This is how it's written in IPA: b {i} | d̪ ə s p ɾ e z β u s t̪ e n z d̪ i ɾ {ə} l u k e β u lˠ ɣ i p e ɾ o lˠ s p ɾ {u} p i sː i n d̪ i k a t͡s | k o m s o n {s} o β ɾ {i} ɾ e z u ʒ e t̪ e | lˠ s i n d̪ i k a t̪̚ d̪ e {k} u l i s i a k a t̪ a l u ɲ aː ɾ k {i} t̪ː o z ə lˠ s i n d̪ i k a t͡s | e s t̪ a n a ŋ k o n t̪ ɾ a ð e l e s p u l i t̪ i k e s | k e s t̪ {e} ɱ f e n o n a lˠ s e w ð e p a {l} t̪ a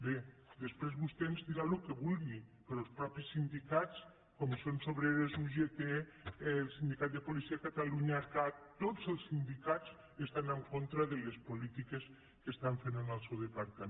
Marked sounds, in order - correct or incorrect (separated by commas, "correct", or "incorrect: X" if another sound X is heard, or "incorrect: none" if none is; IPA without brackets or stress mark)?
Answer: incorrect: e, incorrect: a, incorrect: ɔ, correct, incorrect: e, incorrect: p, incorrect: a, incorrect: a, incorrect: ɾ